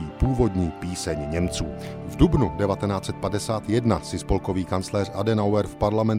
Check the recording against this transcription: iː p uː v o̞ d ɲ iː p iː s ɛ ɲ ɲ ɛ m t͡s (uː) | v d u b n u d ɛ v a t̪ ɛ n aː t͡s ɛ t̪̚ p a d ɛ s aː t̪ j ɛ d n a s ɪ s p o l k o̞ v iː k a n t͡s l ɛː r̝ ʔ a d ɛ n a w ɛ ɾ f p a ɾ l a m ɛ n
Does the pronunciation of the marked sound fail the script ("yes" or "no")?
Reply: no